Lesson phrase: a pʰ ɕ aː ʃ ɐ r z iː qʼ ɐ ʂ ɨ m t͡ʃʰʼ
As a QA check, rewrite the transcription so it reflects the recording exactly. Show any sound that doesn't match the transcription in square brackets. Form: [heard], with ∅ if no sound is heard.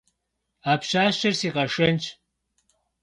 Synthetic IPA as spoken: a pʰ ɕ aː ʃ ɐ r [s] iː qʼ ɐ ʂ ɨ [n] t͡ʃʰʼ